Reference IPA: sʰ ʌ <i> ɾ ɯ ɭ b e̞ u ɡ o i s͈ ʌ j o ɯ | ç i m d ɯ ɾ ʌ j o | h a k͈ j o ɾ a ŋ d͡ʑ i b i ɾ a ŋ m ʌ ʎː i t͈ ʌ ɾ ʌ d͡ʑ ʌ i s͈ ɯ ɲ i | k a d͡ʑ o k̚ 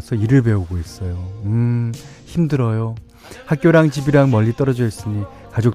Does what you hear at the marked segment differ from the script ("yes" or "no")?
no